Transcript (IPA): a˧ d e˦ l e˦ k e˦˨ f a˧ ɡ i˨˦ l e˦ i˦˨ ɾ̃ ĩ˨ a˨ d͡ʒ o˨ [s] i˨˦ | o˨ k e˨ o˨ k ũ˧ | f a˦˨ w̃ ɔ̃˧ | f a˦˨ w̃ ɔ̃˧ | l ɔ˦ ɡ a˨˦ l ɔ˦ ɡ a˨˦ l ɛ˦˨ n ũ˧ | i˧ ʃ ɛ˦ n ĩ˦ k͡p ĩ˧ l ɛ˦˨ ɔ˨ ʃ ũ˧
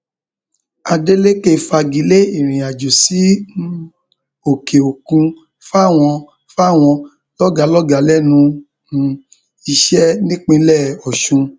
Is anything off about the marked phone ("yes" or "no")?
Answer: no